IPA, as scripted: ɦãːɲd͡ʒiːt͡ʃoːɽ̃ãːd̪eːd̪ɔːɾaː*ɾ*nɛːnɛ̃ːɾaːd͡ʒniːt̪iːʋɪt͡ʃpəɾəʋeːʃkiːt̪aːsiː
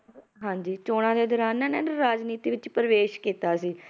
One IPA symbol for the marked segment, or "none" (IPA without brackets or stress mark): none